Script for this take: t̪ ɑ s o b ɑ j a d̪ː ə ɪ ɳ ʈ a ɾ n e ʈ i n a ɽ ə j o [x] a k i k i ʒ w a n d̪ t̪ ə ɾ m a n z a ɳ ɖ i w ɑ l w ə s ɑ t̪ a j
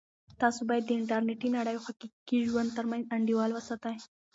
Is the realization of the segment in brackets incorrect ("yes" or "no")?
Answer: no